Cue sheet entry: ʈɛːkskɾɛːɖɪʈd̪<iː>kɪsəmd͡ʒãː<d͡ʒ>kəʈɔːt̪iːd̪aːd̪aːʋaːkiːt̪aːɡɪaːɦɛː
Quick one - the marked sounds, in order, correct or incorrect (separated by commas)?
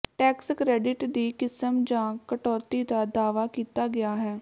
correct, incorrect